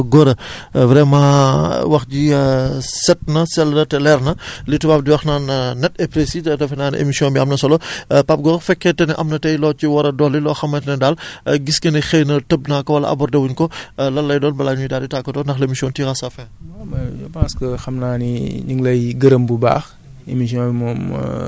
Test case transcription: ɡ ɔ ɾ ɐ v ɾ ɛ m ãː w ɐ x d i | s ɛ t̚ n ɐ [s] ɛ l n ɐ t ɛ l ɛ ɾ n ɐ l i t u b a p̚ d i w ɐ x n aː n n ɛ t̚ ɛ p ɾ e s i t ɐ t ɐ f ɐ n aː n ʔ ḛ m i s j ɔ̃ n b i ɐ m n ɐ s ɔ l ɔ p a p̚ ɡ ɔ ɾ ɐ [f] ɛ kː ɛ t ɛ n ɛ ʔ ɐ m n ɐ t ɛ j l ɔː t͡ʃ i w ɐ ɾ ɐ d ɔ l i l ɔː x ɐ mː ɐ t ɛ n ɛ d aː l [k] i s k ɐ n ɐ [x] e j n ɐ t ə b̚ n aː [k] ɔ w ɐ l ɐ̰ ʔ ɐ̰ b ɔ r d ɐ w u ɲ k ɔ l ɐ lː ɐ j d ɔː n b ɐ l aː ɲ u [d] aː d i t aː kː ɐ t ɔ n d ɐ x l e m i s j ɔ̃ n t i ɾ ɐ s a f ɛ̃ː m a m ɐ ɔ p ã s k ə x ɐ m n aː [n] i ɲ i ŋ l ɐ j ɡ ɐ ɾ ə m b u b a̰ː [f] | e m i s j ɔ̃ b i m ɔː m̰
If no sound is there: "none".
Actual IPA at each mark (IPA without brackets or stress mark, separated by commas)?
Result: s, f, ɡ, x, k, d, n, x